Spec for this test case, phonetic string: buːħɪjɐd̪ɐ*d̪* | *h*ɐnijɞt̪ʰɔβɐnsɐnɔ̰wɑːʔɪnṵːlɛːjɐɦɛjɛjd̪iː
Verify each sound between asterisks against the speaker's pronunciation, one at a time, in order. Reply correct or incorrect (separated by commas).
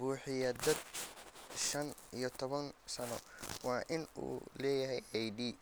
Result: correct, incorrect